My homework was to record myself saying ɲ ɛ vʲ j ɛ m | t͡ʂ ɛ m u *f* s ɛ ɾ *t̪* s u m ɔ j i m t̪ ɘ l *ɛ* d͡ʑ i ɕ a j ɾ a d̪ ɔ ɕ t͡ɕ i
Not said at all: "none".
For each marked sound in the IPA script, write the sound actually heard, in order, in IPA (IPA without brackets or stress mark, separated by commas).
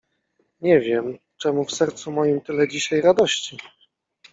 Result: f, t̪, ɛ